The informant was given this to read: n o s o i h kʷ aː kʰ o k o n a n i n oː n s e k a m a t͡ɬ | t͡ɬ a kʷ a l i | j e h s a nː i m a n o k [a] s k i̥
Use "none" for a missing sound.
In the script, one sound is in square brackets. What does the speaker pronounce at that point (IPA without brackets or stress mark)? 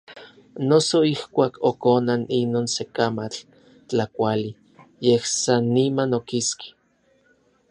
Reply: i